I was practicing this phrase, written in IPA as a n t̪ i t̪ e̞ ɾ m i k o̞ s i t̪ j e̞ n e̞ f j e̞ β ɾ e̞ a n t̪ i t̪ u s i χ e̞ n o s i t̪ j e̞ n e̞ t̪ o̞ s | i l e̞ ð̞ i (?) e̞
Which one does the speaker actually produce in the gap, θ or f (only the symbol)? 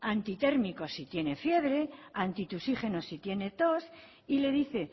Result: θ